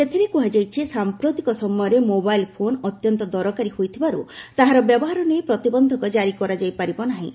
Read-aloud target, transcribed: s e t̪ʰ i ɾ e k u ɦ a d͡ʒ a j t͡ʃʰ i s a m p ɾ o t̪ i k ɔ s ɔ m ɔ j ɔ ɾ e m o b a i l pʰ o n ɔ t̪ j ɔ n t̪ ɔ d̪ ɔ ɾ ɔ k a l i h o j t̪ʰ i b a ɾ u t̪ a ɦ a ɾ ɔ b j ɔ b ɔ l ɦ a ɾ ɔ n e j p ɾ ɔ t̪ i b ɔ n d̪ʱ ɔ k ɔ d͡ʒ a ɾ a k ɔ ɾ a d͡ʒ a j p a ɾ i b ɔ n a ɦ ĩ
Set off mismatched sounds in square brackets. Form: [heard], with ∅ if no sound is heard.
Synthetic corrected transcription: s e t̪ʰ i ɾ e k u ɦ a d͡ʒ a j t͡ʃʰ i s a m p ɾ o t̪ i k ɔ s ɔ m ɔ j ɔ ɾ e m o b a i l pʰ o n ɔ t̪ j ɔ n t̪ ɔ d̪ ɔ ɾ ɔ k a [ɾ] i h o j t̪ʰ i b a ɾ u t̪ a ɦ a ɾ ɔ b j ɔ b ɔ [∅] ɦ a ɾ ɔ n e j p ɾ ɔ t̪ i b ɔ n d̪ʱ ɔ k ɔ d͡ʒ a ɾ [i] k ɔ ɾ a d͡ʒ a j p a ɾ i b ɔ n a ɦ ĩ